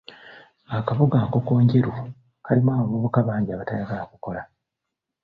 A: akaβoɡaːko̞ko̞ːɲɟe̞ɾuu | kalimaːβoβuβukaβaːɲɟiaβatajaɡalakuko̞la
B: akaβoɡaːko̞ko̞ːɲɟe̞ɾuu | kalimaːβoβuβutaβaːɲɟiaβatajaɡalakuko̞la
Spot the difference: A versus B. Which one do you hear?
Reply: A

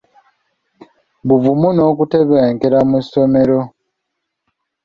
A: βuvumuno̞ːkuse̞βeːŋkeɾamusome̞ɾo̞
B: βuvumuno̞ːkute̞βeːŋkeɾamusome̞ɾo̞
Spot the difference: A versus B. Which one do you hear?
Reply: B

